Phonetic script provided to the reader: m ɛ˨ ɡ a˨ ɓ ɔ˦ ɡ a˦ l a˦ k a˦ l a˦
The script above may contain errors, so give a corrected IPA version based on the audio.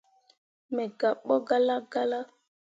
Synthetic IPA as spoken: m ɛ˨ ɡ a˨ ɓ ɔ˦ ɡ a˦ l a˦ ɡ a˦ l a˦